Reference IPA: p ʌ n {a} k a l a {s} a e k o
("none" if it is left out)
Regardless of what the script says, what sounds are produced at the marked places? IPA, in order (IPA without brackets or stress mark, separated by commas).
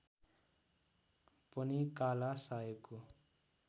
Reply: i, s